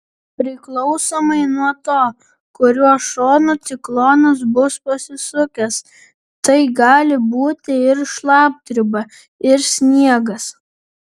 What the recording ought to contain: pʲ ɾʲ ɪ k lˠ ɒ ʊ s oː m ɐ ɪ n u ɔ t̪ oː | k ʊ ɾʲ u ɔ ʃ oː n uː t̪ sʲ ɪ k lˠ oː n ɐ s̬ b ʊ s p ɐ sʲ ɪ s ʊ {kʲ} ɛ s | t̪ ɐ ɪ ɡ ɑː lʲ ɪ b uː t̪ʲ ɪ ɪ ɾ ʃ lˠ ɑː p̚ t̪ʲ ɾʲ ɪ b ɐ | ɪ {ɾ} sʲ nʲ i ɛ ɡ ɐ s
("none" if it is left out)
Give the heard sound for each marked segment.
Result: kʲ, ɾ

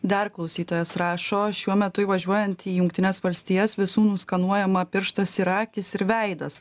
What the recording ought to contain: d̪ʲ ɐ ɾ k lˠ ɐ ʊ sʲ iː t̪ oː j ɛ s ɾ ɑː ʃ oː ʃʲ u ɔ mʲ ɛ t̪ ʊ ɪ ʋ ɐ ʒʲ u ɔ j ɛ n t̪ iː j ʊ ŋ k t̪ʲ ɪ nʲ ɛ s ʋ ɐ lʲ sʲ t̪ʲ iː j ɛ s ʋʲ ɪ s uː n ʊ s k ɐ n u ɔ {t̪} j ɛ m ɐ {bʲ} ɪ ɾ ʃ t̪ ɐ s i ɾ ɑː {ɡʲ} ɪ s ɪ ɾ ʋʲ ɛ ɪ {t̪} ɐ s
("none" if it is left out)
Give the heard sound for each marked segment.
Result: none, pʲ, kʲ, d̪

